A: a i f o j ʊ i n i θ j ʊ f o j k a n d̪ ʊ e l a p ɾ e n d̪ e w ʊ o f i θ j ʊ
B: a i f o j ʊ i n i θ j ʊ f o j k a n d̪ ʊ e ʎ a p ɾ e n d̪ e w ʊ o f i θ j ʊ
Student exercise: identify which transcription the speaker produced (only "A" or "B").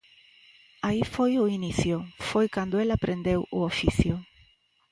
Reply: A